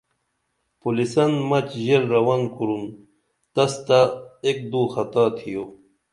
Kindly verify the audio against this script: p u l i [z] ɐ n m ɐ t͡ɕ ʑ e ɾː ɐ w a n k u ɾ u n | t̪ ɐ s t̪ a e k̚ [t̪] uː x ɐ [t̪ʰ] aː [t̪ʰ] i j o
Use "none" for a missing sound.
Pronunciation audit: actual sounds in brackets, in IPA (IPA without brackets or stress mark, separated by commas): s, d̪, t̪, t̪ʰ